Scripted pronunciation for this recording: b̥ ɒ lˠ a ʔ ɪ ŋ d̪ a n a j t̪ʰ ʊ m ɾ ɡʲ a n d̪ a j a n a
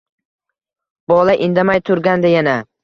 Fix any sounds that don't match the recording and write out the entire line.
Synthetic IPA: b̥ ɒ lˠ a ʔ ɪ n d̪ a m a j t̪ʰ ʊ ɾ ɡʲ a n d̪ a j a n a